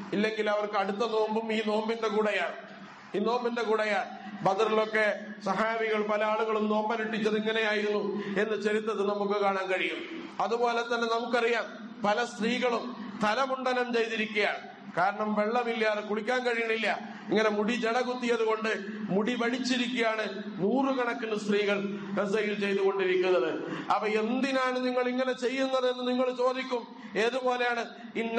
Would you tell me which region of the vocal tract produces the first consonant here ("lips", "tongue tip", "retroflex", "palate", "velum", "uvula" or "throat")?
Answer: tongue tip